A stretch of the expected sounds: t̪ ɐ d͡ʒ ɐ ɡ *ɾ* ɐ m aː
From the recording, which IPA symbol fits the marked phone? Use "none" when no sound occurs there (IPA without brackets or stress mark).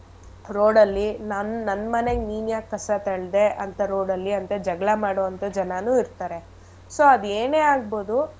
ɭ